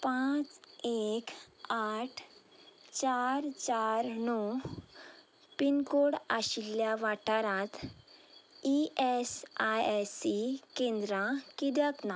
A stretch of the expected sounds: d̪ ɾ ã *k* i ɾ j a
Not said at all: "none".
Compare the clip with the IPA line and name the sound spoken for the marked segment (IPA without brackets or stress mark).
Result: k